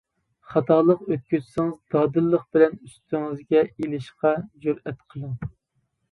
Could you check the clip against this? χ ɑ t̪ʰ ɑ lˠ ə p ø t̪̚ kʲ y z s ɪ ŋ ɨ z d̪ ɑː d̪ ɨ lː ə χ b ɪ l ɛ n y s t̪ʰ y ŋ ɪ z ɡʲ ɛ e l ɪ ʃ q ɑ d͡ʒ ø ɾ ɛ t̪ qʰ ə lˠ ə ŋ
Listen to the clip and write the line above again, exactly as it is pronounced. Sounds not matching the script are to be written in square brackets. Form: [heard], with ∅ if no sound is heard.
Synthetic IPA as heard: χ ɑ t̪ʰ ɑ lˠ ə [q] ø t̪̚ kʲ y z s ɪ ŋ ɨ z d̪ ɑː d̪ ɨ lː ə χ b ɪ l ɛ n y s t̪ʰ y ŋ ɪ z ɡʲ ɛ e l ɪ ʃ q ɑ d͡ʒ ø ɾ ɛ t̪ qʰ ə lˠ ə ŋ

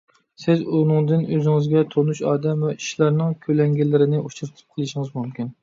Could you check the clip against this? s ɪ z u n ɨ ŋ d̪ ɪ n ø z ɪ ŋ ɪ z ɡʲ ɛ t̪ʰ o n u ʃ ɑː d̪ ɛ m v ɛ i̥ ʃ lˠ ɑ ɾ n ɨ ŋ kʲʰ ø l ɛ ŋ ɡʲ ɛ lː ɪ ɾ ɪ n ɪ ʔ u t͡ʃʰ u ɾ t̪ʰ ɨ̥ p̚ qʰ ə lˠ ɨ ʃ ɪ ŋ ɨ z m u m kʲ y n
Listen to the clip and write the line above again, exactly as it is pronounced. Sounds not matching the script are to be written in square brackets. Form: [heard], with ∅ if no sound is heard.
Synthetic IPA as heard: s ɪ z u n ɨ ŋ d̪ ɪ n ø z ɪ ŋ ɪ z ɡʲ ɛ t̪ʰ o n u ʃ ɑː d̪ ɛ m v ɛ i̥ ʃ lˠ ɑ ɾ n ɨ ŋ kʲʰ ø l ɛ ŋ ɡʲ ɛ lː ɪ ɾ ɪ n ɪ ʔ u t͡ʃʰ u ɾ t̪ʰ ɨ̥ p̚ qʰ ə lˠ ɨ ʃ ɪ ŋ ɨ z m u m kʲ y n

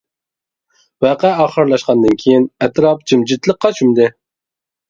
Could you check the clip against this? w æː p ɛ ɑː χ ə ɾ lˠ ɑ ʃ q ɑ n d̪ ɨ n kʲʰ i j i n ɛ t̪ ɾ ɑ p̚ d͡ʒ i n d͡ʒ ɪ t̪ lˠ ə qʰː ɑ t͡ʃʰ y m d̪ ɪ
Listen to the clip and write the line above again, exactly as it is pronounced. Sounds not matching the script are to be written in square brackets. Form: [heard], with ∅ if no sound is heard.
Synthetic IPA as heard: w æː [q] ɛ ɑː χ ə ɾ lˠ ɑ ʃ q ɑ n d̪ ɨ n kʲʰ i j i n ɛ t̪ ɾ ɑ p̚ d͡ʒ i [m] d͡ʒ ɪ t̪ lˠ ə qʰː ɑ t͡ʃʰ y m d̪ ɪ

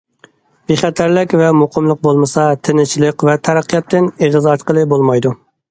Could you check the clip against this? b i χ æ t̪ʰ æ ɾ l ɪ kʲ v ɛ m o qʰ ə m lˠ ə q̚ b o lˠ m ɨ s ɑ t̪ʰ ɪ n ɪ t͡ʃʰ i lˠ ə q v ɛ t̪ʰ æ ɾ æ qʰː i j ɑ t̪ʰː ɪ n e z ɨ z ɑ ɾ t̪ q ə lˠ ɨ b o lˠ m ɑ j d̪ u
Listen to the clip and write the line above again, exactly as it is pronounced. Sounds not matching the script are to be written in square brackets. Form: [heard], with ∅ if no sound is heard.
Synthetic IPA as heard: b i χ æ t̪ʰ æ ɾ l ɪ kʲ v ɛ m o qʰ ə m lˠ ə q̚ b o lˠ m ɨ s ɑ t̪ʰ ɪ n ɪ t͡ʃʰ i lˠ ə q v ɛ t̪ʰ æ ɾ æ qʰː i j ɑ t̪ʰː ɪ n e [ʁ] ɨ z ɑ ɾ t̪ q ə lˠ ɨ b o lˠ m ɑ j d̪ u

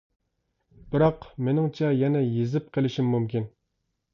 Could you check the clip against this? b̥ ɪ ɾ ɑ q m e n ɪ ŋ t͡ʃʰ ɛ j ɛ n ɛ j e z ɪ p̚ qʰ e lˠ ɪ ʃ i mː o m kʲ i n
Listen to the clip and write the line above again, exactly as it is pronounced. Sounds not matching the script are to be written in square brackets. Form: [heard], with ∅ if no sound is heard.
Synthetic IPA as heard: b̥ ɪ ɾ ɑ q m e n ɪ ŋ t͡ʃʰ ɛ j ɛ n ɛ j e z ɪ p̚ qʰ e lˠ ɪ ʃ i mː [u] m kʲ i n

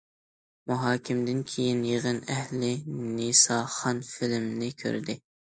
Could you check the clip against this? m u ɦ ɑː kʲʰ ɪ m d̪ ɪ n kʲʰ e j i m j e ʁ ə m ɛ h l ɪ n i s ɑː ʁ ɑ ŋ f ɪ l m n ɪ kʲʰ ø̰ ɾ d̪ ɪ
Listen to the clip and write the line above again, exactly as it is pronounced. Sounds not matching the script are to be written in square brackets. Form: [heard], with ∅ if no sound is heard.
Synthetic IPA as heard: m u ɦ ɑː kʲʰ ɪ m d̪ ɪ n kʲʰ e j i [n] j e ʁ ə [n] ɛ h l ɪ n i s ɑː [χ] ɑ [n] f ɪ l m n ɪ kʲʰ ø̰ ɾ d̪ ɪ

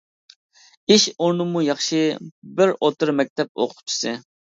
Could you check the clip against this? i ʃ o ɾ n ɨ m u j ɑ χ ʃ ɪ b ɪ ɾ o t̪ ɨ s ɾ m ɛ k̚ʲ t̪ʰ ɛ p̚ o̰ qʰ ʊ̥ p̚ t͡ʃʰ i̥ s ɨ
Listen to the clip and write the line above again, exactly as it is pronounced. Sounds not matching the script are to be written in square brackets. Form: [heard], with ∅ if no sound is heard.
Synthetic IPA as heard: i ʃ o ɾ n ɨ m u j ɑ χ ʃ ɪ b ɪ ɾ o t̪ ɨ [∅] ɾ m ɛ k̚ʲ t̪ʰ ɛ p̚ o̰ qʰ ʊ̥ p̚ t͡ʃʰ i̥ s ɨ

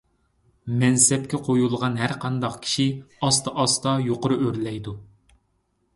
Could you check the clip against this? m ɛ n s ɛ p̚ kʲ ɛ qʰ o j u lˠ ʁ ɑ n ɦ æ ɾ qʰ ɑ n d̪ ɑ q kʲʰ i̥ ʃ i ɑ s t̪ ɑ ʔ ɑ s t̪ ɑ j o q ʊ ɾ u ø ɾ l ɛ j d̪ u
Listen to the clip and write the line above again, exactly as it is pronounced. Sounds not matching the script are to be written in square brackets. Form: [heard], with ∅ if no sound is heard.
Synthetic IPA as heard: m ɛ n s ɛ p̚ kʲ ɛ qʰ o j u lˠ ʁ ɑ n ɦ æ ɾ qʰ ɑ n d̪ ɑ q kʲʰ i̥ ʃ i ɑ s t̪ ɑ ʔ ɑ s t̪ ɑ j o q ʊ ɾ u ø ɾ l ɛ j d̪ u

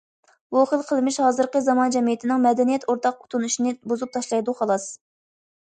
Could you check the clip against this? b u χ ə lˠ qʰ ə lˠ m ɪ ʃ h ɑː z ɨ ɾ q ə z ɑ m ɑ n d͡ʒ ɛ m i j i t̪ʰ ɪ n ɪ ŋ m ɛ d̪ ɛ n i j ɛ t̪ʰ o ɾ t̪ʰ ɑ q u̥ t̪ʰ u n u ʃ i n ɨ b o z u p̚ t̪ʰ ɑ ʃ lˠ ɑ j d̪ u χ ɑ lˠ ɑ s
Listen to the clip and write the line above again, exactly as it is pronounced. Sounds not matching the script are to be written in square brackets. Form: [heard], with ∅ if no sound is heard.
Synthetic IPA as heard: b u χ ə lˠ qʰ ə lˠ m ɪ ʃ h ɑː z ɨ ɾ q ə z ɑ m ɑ n d͡ʒ ɛ m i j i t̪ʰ ɪ n ɪ ŋ m ɛ d̪ ɛ n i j ɛ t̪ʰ o ɾ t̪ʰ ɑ q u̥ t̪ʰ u n u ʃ i n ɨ b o z u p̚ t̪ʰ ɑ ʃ lˠ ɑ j d̪ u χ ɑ lˠ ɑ s

